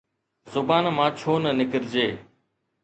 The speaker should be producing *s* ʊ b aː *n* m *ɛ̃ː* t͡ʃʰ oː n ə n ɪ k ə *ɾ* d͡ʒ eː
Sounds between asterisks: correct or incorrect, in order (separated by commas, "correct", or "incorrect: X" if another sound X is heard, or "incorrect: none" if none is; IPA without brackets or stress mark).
incorrect: z, correct, incorrect: ãː, correct